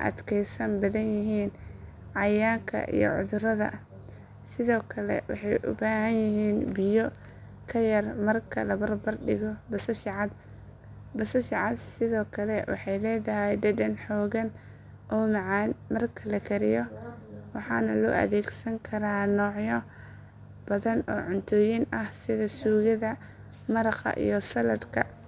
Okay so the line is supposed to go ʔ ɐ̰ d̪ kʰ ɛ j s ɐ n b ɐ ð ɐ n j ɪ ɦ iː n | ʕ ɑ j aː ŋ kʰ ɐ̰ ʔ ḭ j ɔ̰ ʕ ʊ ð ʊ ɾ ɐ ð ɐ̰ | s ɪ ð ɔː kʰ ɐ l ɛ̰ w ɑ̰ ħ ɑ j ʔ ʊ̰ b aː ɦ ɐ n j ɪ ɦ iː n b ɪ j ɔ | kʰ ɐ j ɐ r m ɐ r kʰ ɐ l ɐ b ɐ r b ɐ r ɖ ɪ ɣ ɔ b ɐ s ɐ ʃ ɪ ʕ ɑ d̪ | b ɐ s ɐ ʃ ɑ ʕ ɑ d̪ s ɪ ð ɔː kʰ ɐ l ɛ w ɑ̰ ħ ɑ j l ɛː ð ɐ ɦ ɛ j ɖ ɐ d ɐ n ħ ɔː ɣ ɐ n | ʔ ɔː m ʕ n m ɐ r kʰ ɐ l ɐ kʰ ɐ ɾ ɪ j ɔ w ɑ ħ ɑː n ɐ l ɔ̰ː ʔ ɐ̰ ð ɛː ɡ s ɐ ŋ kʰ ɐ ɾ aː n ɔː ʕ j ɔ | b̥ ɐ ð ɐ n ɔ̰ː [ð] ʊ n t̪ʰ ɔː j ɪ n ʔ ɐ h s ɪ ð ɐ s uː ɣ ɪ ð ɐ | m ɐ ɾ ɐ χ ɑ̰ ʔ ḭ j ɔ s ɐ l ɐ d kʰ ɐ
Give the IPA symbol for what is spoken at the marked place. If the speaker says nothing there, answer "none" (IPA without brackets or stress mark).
ʕ